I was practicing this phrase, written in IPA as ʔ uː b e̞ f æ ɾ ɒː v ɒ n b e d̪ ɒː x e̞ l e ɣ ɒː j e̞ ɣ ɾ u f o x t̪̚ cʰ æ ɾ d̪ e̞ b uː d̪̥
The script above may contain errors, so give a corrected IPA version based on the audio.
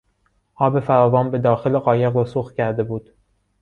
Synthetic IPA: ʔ ɒː b e̞ f æ ɾ ɒː v ɒː n b e d̪ ɒː x e̞ l e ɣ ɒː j e̞ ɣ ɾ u s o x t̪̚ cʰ æ ɾ d̪ e̞ b uː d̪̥